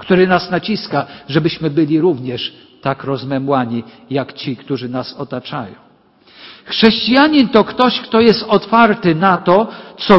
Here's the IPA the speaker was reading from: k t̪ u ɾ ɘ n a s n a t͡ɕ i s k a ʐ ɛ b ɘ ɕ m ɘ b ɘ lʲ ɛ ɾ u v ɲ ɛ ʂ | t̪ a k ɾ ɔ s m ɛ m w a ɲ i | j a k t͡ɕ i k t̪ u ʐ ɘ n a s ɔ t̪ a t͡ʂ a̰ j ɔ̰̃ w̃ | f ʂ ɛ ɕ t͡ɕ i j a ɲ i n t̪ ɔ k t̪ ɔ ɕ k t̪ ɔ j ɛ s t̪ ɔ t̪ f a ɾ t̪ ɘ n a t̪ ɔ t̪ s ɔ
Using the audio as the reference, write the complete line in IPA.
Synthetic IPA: k t̪ u ɾ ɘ n a s n a t͡ɕ i s k a ʐ ɛ b ɘ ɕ m ɘ b ɘ lʲ i ɾ u v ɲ ɛ ʂ | t̪ a k ɾ ɔ z m ɛ m w a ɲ i | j a k t͡ɕ i k t̪ u ʐ ɘ n a s ɔ t̪ a t͡ʂ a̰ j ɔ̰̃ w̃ | x ʂ ɛ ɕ t͡ɕ i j a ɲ i n t̪ ɔ k t̪ ɔ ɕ k t̪ ɔ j ɛ s t̪ ɔ t̪ f a ɾ t̪ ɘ n a t̪ ɔ t̪ s ɔ